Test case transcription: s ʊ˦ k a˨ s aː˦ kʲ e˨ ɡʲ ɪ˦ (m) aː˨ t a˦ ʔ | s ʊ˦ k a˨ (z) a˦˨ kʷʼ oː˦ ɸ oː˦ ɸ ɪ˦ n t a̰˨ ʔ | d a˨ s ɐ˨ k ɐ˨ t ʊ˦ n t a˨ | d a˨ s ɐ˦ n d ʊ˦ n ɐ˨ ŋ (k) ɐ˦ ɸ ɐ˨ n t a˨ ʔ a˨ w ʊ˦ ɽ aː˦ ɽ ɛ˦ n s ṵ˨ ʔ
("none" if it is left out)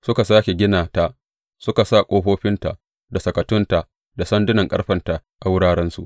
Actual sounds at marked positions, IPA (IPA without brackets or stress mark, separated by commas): n, s, kʼ